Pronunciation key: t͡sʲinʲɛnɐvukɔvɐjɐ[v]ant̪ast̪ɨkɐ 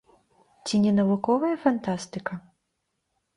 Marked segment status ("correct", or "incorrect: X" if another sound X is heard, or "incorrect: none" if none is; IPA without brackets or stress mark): incorrect: f